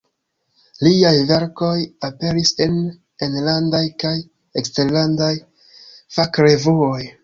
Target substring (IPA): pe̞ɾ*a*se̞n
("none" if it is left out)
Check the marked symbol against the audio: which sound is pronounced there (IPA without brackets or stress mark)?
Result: i